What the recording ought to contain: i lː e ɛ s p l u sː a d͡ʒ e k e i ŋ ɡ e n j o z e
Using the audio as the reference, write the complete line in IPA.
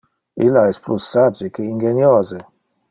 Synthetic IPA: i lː a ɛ s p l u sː a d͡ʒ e k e i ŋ ɡ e n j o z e